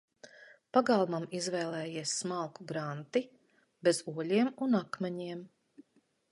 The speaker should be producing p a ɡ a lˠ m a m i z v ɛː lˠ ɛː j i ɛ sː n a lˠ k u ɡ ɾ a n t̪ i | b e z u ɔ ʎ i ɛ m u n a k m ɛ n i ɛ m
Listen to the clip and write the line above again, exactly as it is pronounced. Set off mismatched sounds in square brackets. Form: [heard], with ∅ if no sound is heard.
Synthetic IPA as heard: p a ɡ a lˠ m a m i z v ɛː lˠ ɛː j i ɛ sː [m] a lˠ k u ɡ ɾ a n t̪ i | b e z u ɔ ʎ i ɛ m u n a k m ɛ [ɲ] i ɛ m